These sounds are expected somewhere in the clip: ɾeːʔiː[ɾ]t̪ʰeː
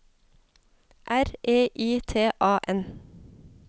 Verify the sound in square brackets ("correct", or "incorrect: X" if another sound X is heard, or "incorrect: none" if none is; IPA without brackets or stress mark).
incorrect: none